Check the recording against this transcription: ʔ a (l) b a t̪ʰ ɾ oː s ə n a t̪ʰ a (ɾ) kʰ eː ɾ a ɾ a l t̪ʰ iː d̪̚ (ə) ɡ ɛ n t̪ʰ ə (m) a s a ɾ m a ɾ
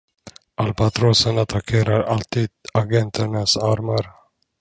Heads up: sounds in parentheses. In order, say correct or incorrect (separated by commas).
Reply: correct, incorrect, incorrect, incorrect